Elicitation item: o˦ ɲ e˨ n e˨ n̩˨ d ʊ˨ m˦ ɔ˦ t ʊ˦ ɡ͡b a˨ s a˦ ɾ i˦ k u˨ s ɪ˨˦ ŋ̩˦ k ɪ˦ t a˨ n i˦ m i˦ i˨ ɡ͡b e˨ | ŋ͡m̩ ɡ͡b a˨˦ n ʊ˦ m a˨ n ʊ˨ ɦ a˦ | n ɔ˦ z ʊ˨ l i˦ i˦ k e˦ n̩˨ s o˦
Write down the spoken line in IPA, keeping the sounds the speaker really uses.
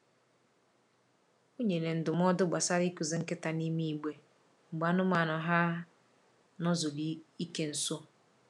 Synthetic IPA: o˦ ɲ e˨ n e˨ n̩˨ d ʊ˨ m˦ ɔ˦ d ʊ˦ ɡ͡b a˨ s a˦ ɾ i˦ k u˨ z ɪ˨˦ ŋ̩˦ k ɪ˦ t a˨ n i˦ m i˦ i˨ ɡ͡b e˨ | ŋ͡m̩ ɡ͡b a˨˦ n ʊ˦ m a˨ n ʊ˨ ɦ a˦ | n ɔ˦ z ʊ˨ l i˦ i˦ k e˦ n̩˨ s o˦